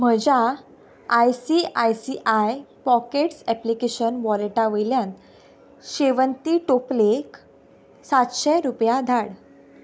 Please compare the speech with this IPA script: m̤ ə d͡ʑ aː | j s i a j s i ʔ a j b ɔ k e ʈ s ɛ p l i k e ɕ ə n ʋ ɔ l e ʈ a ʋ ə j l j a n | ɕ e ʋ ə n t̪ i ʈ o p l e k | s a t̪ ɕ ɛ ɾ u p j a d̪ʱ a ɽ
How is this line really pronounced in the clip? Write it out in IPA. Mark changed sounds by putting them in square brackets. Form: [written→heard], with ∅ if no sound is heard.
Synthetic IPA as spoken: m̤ ə d͡ʑ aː | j s i a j s i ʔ a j [b→p] ɔ k e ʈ s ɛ p l i k e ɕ ə n ʋ ɔ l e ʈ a ʋ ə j l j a n | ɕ e ʋ ə n t̪ i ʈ o p l e k | s a t̪ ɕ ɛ ɾ u p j a d̪ʱ a ɽ